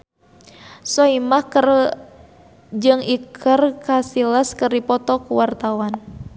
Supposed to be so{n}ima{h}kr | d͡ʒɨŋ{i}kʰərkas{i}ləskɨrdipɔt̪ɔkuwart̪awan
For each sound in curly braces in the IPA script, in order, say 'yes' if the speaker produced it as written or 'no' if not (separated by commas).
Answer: no, yes, yes, yes